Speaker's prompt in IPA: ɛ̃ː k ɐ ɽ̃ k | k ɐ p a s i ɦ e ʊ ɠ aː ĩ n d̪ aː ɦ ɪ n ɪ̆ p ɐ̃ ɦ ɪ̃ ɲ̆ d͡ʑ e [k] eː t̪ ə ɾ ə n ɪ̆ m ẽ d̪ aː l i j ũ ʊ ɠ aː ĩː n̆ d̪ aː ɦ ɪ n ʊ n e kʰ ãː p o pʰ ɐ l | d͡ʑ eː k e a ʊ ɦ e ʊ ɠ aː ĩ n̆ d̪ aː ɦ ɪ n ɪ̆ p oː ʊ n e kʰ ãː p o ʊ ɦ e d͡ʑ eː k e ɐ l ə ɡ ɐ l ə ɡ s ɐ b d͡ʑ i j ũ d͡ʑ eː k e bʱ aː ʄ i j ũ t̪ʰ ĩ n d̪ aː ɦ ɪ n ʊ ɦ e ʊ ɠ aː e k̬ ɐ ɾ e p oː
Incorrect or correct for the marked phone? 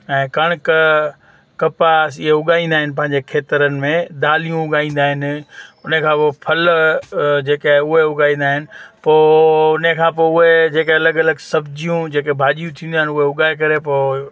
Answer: incorrect: kʰ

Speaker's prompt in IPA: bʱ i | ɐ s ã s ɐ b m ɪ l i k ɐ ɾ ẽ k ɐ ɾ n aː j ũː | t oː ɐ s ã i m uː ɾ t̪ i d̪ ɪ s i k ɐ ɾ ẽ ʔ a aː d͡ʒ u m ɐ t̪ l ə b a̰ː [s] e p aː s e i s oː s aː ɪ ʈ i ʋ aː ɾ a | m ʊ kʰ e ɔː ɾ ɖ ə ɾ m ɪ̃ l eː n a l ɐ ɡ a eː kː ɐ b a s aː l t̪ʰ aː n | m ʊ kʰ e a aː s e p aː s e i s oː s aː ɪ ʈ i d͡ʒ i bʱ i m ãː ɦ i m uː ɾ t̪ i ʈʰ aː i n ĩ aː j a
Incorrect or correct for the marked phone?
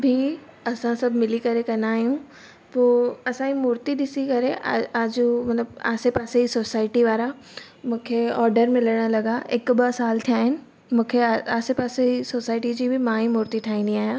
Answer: correct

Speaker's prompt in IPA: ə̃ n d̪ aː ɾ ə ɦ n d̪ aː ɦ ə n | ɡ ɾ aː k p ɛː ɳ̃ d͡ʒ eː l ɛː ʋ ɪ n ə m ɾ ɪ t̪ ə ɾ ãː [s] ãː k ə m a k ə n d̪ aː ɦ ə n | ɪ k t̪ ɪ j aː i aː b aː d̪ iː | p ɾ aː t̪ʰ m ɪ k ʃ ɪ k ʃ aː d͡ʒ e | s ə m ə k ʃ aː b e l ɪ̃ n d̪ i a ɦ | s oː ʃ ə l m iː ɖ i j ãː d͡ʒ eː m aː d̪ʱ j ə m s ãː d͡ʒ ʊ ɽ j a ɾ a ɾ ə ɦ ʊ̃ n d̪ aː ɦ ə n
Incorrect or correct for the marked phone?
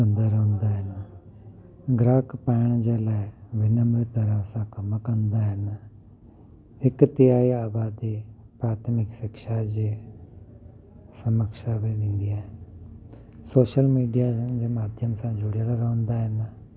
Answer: correct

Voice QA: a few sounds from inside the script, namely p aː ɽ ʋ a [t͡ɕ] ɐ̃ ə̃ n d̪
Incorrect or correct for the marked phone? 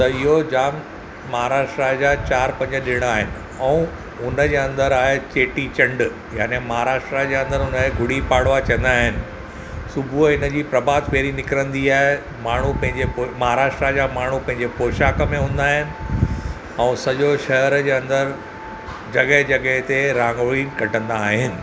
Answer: correct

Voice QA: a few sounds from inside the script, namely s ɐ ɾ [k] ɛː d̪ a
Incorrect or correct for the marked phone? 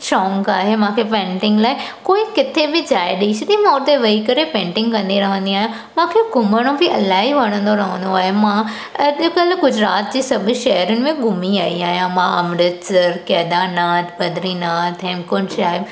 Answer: correct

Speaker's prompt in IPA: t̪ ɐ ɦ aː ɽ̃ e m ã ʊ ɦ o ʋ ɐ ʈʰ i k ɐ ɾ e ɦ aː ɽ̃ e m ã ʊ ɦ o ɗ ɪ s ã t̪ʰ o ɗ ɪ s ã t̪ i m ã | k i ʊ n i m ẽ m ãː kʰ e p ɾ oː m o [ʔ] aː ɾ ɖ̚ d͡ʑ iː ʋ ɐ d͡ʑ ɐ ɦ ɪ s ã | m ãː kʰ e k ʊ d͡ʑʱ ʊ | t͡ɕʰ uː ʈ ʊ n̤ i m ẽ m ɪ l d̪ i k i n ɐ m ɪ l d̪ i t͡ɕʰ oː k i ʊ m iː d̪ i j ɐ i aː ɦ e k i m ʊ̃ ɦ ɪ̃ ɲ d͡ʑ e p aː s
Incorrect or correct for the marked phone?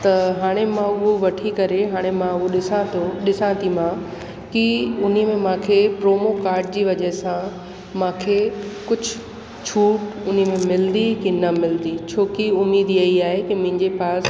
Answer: incorrect: k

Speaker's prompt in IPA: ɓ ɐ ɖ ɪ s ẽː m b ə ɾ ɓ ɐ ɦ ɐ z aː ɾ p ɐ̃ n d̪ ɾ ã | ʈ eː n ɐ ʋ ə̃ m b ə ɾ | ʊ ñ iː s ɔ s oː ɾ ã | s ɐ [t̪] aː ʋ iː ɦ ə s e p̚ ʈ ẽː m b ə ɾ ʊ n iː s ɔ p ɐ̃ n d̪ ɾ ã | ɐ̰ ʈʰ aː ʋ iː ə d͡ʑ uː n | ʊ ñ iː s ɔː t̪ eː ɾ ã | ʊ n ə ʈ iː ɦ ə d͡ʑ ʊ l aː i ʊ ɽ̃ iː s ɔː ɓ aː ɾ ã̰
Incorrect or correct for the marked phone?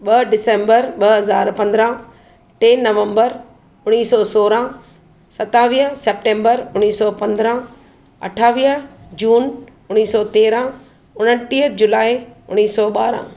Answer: correct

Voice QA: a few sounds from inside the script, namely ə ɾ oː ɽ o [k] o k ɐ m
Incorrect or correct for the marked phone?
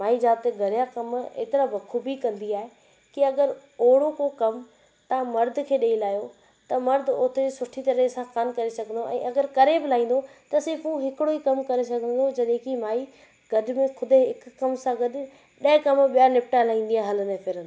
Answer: correct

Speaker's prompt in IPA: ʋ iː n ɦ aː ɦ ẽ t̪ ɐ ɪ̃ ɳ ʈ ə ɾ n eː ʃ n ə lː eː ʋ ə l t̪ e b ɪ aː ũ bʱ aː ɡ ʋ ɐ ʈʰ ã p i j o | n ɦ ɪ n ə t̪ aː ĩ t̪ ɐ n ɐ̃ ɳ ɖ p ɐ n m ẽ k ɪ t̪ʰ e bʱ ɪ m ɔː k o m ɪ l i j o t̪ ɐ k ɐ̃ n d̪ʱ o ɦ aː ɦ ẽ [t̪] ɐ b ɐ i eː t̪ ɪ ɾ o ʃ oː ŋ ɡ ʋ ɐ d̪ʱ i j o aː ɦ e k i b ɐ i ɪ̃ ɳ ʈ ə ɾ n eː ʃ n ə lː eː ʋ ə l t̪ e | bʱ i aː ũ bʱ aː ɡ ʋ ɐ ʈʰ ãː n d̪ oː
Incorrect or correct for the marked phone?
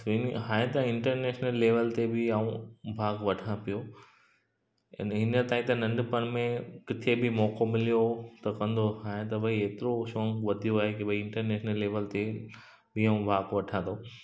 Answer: correct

